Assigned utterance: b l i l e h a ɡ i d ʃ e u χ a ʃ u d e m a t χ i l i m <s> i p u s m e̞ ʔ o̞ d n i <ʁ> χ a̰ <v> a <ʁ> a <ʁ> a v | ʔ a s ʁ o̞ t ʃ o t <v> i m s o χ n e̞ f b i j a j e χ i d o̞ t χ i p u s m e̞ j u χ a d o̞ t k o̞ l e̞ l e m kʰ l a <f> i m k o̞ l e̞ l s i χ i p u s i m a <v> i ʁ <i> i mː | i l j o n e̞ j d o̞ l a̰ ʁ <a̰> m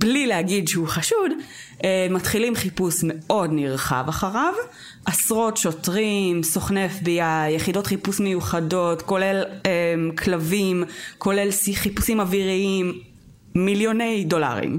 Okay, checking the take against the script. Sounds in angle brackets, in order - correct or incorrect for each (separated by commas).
incorrect, correct, correct, incorrect, correct, incorrect, incorrect, correct, correct, incorrect